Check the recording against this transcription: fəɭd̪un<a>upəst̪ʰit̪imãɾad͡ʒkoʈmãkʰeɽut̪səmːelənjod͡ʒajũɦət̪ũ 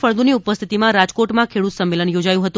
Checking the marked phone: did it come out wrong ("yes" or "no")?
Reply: yes